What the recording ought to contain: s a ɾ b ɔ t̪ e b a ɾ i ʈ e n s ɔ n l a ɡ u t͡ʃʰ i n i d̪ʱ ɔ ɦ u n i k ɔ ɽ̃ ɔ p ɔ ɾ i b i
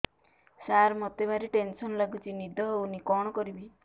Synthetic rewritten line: s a ɾ m ɔ t̪ e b a ɾ i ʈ e n s ɔ n l a ɡ u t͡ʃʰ i n i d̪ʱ ɔ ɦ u n i k ɔ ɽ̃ ɔ k ɔ ɾ i b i